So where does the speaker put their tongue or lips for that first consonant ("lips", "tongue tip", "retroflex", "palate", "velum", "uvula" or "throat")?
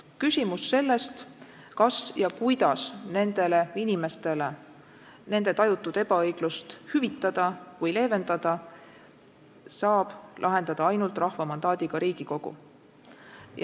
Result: velum